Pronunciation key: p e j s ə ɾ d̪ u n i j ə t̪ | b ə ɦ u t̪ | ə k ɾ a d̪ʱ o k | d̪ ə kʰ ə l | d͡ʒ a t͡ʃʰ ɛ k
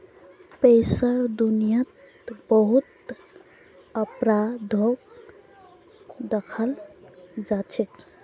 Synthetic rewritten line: p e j s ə ɾ d̪ u n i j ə t̪ | b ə ɦ u t̪ | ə p ɾ a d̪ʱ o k | d̪ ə kʰ ə l | d͡ʒ a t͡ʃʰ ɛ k